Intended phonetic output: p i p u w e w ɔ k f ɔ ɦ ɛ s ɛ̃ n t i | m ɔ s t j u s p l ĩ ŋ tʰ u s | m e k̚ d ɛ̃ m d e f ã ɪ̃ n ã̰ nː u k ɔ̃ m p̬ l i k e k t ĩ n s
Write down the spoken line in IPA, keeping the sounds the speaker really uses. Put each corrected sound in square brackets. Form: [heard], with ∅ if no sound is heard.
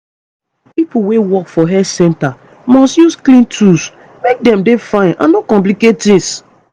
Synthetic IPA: p i p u w e w ɔ k f ɔ ɦ ɛ s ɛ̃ n t [a] | m ɔ s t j u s [k] l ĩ [n] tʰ u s | m e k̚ d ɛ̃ m d e f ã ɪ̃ n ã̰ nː [o] k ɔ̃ m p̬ l i k e [t] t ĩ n s